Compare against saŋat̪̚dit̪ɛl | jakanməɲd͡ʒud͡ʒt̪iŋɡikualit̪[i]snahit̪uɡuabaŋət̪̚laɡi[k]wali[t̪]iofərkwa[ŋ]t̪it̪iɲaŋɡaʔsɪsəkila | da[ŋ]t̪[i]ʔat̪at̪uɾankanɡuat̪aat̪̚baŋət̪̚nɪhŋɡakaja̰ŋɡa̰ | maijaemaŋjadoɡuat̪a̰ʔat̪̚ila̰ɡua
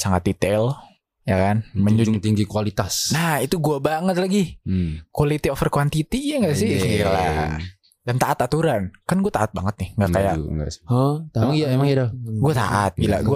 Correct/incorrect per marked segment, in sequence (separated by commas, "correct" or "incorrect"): incorrect, correct, correct, incorrect, incorrect, incorrect